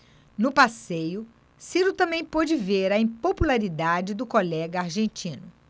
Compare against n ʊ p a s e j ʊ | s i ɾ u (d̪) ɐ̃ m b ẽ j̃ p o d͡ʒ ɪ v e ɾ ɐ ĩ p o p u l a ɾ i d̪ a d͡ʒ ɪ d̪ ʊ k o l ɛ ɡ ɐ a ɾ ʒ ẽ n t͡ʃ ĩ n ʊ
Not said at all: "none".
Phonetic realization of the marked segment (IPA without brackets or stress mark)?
t̪